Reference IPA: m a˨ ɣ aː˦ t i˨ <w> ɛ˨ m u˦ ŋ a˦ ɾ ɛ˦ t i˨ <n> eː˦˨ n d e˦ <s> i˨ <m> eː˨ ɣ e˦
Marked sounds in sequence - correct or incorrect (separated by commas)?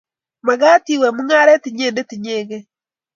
correct, incorrect, incorrect, incorrect